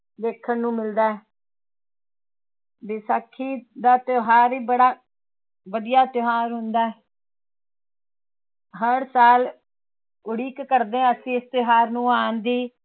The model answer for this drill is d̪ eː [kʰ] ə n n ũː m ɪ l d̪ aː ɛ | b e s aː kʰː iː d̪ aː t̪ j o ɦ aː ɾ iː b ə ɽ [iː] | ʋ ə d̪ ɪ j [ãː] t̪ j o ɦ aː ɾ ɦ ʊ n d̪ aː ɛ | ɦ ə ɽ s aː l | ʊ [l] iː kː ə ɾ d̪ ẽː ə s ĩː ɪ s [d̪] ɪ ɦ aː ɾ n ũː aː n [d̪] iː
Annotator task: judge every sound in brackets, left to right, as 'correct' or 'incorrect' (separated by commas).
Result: correct, incorrect, incorrect, incorrect, incorrect, correct